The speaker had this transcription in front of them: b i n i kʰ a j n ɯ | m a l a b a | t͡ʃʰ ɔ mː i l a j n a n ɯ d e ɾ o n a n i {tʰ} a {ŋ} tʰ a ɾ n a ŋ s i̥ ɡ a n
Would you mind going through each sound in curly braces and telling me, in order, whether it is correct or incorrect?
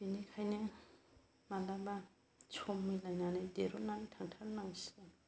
correct, correct

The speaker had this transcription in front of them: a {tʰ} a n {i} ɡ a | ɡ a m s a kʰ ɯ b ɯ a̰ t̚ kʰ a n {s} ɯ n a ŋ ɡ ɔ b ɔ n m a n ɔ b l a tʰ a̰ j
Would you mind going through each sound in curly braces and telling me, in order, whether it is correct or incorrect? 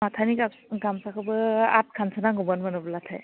correct, correct, correct

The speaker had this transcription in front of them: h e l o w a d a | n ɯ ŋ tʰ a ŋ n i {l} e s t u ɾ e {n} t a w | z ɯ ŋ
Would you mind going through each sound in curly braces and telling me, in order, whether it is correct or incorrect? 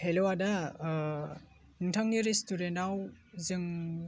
incorrect: ɾ, correct

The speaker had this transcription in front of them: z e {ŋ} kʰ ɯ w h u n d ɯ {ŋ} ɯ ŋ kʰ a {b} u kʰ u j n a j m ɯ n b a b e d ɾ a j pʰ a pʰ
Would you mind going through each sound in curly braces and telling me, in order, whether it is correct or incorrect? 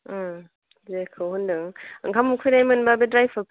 incorrect: none, correct, incorrect: m

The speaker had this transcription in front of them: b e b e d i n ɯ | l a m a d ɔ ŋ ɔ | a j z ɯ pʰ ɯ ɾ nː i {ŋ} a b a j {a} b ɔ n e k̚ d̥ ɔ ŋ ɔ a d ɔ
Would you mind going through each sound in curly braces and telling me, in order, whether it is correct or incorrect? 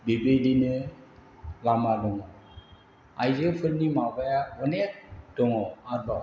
incorrect: m, correct

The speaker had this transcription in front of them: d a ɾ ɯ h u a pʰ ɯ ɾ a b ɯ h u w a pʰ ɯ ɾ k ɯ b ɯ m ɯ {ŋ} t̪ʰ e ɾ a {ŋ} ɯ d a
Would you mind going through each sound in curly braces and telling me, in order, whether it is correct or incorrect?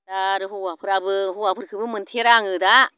incorrect: n, correct

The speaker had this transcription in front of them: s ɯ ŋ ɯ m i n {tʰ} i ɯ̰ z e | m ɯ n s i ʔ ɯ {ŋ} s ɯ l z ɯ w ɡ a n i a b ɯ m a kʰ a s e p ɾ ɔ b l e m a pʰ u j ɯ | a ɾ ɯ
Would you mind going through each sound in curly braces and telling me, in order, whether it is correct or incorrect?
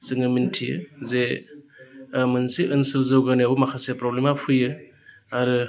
correct, incorrect: n

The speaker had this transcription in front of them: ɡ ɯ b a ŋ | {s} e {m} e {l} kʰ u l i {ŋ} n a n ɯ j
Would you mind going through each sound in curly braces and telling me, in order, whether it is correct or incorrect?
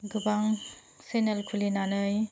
correct, incorrect: n, correct, incorrect: none

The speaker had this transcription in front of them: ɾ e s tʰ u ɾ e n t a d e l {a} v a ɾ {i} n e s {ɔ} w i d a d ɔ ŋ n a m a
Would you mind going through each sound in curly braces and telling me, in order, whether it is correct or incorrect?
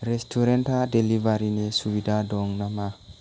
incorrect: i, correct, incorrect: u

